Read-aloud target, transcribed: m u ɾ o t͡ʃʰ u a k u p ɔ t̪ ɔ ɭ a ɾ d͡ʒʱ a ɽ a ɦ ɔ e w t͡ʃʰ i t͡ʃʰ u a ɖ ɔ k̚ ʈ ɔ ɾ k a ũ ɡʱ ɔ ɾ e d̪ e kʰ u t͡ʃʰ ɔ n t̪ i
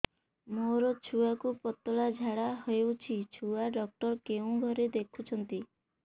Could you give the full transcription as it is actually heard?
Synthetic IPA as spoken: m o ɾ ɔ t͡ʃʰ u a k u p ɔ t̪ ɔ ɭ a d͡ʒʱ a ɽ a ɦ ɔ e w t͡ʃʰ i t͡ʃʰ u a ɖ ɔ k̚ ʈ ɔ ɾ k e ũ ɡʱ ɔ ɾ e d̪ e kʰ u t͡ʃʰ ɔ n t̪ i